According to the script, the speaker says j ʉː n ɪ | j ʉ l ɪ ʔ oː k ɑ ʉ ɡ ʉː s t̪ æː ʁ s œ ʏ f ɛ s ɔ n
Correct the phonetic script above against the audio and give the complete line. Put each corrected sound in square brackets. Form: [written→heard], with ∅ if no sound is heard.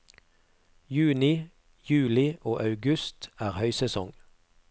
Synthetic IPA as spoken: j ʉː n ɪ | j [ʉ→ʉː] l ɪ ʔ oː [k→ʔ] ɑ ʉ ɡ [ʉː→ʉ] s t̪ æː ʁ [s→h] œ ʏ [f→s] ɛ s ɔ [n→ŋ]